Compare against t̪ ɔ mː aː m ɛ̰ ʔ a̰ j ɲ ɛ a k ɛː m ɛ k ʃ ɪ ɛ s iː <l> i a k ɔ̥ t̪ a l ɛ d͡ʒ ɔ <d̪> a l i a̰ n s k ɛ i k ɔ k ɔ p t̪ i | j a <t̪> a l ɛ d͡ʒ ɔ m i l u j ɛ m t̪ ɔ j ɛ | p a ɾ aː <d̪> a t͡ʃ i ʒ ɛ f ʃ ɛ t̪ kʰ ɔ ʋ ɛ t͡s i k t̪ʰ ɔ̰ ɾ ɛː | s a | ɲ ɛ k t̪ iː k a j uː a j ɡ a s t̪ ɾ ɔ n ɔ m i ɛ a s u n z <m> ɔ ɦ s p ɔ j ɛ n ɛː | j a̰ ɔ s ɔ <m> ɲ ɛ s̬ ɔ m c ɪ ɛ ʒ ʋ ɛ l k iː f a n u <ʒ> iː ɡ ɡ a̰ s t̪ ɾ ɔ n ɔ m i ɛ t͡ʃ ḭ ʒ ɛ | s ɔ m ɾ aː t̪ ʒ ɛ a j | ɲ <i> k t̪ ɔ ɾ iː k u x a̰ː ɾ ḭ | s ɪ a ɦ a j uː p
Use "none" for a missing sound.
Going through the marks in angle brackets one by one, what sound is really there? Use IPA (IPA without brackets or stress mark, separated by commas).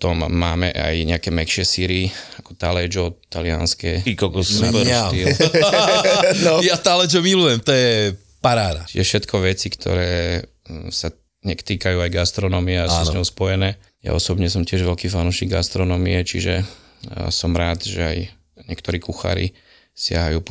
ɾ, t̪, t̪, d̪, ɲ, b, ʃ, ɛ